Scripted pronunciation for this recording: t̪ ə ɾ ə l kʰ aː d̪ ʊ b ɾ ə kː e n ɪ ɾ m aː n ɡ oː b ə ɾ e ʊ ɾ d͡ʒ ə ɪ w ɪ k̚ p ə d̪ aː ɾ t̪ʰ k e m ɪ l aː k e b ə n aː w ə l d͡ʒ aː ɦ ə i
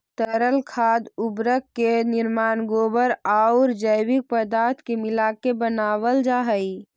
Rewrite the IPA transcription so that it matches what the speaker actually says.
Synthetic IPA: t̪ ə ɾ ə l kʰ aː d̪ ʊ b ɾ ə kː e n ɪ ɾ m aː n ɡ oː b ə ɾ a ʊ ɾ d͡ʒ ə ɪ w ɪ k̚ p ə d̪ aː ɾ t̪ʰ k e m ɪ l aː k e b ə n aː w ə l d͡ʒ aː ɦ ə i